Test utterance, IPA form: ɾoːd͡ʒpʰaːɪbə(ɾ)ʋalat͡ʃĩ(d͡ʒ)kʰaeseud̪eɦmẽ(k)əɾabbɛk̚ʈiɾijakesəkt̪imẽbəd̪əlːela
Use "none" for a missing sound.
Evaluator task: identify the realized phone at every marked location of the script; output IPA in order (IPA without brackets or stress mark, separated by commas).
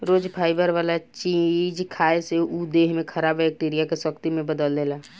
ɾ, d͡ʒ, kʰ